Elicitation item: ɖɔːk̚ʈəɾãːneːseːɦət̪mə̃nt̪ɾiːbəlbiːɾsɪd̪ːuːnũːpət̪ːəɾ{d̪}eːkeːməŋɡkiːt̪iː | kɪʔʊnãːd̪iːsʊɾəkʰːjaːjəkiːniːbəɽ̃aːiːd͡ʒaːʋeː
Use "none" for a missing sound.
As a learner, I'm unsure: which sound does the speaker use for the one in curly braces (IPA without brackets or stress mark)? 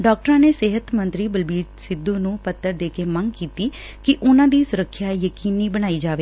d̪